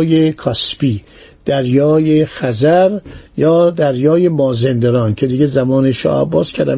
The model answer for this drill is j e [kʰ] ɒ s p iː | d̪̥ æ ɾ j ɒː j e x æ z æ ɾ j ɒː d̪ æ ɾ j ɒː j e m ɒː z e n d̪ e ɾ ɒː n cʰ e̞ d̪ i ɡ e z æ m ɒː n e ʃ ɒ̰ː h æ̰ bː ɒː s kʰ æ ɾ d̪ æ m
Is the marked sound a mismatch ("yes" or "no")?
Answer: no